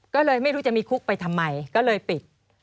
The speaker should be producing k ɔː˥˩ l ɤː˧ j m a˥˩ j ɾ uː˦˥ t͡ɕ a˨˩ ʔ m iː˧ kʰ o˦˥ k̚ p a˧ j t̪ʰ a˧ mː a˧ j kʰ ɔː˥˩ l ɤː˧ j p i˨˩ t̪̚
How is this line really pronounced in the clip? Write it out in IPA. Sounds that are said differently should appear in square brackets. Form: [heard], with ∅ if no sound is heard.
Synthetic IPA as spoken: k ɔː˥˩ l ɤː˧ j m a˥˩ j ɾ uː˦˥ t͡ɕ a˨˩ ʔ m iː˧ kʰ [u˦˥] k̚ p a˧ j t̪ʰ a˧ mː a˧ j [k] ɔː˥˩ l ɤː˧ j p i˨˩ t̪̚